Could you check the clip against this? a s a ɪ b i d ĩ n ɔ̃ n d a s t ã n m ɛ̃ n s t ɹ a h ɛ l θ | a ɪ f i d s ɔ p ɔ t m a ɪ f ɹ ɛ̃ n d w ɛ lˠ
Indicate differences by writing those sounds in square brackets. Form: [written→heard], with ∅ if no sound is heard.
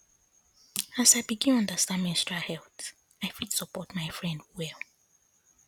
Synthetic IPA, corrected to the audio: a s a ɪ b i [d→ɡ] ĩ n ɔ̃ n d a s t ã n m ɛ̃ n s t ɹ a h ɛ l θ | a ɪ f i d s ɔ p ɔ t m a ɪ f ɹ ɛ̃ n d w ɛ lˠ